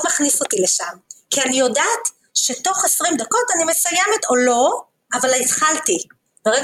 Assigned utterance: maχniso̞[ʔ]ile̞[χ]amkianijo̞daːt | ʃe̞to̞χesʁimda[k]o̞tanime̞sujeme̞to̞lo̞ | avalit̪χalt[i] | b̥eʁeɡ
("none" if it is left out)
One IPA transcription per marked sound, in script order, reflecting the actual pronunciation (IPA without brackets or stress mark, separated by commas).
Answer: t, ʃ, k, i